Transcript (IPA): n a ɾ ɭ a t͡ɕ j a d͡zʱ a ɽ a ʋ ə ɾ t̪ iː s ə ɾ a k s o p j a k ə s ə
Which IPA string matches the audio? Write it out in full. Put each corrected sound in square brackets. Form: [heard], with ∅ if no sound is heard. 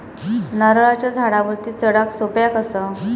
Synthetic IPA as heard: n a ɾ ɭ a t͡ɕ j a d͡zʱ a ɽ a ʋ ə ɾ t̪ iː [t͡s] ə [ɽ] a k s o p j a k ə s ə